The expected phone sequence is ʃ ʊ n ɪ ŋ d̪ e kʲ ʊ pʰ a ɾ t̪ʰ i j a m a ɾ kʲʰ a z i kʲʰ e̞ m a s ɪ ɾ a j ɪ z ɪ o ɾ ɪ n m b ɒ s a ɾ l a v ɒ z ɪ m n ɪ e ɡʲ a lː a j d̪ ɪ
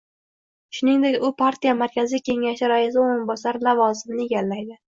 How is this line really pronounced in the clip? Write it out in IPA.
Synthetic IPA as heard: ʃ ʊ n ɪ ŋ d̪ e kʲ ʊ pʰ a ɾ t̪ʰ i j a m a ɾ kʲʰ a z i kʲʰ e̞ ŋ a ʃ ɪ ɾ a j ɪ z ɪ o ɾ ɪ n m b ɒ s a ɾ l a v ɒ z ɪ m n ɪ e ɡʲ a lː a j d̪ ɪ